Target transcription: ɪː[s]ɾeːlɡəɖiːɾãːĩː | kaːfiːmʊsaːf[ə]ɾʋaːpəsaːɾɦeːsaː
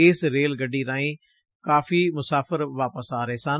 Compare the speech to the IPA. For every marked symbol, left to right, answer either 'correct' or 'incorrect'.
correct, correct

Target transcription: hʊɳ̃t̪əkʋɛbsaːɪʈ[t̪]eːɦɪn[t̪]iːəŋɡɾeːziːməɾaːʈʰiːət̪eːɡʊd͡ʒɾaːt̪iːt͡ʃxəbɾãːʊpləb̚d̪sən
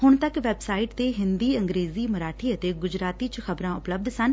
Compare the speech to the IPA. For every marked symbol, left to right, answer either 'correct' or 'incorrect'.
correct, incorrect: d̪

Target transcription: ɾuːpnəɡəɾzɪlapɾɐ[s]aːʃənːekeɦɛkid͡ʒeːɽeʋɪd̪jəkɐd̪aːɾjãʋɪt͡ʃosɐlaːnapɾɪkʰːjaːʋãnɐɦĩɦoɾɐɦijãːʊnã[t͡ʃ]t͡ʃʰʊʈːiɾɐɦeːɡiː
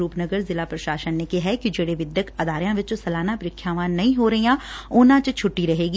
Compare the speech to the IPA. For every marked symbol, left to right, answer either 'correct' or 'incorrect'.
incorrect: ʃ, correct

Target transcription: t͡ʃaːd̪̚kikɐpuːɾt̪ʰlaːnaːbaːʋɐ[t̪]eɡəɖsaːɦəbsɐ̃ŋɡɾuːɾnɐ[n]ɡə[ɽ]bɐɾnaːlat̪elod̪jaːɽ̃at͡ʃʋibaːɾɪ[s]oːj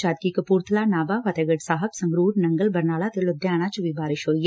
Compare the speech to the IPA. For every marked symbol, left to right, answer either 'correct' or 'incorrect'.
correct, incorrect: ŋ, incorrect: l, incorrect: ʃ

